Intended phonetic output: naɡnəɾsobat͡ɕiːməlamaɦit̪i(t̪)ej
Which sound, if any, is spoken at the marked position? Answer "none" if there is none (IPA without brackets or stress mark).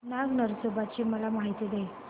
d̪